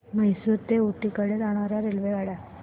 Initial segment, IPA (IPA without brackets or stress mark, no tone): m